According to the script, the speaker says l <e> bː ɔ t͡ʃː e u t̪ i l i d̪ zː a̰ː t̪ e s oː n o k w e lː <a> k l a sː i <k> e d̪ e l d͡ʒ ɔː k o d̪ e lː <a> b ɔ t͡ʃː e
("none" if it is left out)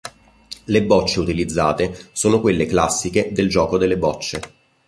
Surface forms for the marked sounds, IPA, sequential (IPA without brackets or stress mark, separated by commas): e, e, k, e